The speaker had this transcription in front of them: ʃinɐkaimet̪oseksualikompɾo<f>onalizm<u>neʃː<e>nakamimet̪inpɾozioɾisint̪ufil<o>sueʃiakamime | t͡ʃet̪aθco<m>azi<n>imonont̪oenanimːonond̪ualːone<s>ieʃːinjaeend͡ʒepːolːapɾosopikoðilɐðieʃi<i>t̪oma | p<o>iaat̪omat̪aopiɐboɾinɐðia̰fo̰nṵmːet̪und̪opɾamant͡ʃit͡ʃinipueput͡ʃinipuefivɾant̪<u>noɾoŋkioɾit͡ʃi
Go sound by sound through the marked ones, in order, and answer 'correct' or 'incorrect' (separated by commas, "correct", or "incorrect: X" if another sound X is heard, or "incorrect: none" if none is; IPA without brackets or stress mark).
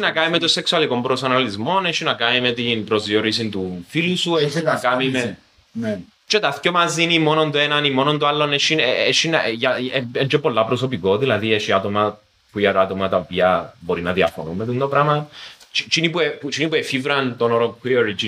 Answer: incorrect: s, incorrect: o, incorrect: i, incorrect: u, correct, correct, incorrect: ʃ, incorrect: a, incorrect: u, incorrect: o